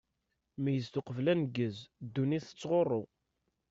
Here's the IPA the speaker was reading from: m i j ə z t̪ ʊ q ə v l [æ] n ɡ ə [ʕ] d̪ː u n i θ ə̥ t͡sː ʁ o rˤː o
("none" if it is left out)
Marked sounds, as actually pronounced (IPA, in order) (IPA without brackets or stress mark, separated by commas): æ, z